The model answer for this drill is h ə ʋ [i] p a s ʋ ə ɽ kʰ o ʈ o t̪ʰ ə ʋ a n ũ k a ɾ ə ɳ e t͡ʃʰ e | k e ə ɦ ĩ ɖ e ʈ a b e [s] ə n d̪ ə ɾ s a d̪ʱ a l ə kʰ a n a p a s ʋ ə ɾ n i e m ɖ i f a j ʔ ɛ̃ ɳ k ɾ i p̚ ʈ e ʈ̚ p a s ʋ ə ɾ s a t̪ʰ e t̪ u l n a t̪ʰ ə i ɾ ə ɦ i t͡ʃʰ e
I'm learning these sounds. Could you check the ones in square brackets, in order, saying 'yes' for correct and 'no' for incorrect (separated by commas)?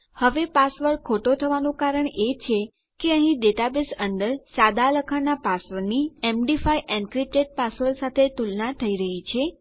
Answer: no, yes